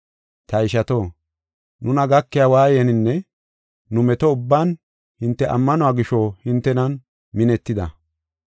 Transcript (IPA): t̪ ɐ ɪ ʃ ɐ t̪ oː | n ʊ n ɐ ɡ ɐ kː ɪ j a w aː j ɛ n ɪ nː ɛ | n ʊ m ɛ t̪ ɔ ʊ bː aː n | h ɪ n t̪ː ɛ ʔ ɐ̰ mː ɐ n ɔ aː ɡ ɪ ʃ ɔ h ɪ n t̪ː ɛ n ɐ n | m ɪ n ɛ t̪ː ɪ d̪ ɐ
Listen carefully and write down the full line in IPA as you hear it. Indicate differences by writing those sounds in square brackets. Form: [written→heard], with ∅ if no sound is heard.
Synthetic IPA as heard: t̪ ɐ ɪ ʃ ɐ t̪ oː | n ʊ n ɐ ɡ ɐ kː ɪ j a w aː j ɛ n ɪ nː ɛ | n ʊ m ɛ t̪ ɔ ʊ bː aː n | h ɪ n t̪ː ɛ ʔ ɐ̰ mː ɐ n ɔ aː ɡ ɪ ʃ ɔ h ɪ n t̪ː ɛ n ɐ n | m ɪ n ɛ t̪ː ɪ d̪ ɐ